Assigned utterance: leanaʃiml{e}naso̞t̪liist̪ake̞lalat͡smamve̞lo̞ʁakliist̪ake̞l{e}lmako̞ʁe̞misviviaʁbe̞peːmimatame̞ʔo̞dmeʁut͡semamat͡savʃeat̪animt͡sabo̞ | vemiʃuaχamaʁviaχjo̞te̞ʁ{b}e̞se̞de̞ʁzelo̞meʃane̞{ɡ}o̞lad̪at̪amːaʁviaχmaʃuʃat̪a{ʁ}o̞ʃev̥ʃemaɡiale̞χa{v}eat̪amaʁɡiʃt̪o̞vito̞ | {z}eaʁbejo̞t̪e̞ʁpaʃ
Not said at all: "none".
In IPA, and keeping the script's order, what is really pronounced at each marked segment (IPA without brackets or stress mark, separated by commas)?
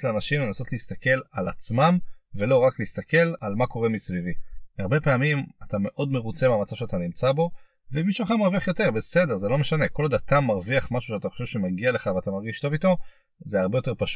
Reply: e, a, b, k, χ, v, z